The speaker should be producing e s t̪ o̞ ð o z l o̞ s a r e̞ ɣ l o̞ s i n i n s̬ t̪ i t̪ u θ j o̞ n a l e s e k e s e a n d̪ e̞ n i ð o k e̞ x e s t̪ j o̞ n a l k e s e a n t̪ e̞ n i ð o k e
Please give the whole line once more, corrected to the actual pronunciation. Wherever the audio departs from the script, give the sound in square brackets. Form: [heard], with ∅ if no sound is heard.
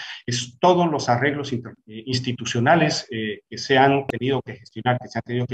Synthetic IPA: e s t̪ o̞ ð o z l o̞ s a r e̞ ɣ l o̞ s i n i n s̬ t̪ i t̪ u [s] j o̞ n a l e s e k e s e a n [t̪] e̞ n i ð o k e̞ x e s t̪ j o̞ n a [ɾ] k e s e a n t̪ e̞ n i ð o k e